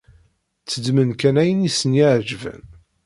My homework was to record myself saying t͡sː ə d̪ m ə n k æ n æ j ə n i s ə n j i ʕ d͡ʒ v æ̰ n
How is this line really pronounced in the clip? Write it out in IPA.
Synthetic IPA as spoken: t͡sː ə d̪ m ə n k æ n æ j ə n i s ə n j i ʕ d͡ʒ v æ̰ n